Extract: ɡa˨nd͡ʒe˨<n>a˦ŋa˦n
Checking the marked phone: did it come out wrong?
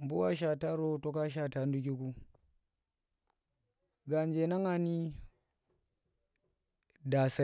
no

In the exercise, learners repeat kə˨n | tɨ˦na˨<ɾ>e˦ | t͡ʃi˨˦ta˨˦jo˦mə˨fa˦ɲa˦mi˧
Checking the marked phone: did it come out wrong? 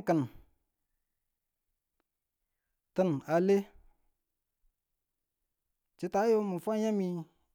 yes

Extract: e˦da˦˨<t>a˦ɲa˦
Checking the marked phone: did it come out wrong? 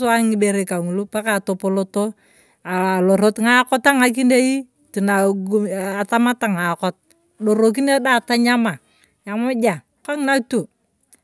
no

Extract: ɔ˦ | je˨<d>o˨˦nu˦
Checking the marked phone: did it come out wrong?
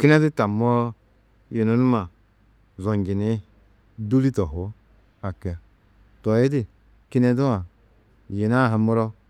yes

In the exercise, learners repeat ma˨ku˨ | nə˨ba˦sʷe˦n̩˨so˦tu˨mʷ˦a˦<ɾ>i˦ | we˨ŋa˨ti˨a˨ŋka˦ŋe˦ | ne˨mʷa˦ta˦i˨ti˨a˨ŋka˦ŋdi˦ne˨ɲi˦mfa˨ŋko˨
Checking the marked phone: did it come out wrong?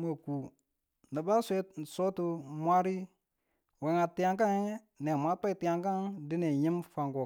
no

